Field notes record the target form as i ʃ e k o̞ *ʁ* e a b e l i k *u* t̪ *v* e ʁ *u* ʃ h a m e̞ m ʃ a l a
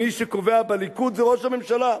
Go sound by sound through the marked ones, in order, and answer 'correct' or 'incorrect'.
incorrect: v, correct, incorrect: z, incorrect: o

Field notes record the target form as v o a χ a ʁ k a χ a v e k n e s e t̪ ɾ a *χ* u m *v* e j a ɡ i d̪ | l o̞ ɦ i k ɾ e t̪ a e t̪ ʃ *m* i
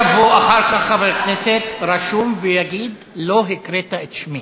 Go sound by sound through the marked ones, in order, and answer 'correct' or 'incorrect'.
incorrect: ʃ, correct, correct

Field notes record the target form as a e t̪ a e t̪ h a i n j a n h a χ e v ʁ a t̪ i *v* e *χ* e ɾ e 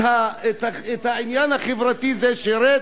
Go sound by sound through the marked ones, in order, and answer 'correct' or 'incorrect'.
incorrect: z, incorrect: ʃ

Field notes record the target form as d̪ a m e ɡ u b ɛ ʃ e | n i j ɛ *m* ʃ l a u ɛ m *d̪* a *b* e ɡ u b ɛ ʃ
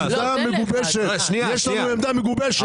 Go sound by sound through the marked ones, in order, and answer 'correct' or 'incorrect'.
incorrect: none, correct, incorrect: m

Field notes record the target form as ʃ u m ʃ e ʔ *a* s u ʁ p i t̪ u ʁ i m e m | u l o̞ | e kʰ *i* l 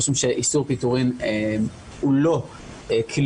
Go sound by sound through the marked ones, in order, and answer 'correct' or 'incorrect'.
incorrect: i, correct

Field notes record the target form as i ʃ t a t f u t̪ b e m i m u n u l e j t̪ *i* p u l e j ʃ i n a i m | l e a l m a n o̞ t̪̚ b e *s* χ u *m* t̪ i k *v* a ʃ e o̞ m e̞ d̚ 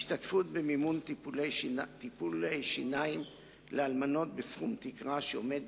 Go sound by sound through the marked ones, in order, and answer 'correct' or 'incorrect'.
correct, correct, correct, incorrect: ʁ

